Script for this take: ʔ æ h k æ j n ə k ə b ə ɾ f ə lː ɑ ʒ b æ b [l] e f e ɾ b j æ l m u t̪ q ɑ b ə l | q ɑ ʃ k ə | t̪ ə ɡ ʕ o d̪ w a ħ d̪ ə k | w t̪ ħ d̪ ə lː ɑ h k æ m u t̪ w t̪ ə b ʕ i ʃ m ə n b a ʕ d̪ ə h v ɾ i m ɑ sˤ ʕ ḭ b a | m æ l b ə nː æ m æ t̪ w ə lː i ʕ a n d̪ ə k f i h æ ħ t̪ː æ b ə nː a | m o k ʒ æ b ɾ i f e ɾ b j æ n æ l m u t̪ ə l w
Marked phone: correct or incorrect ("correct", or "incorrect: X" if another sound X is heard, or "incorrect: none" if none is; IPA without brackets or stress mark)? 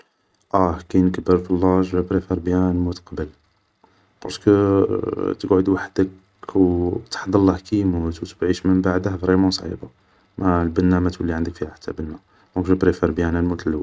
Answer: incorrect: ɾ